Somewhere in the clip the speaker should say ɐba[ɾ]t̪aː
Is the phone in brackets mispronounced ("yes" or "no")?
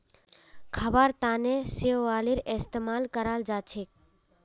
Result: no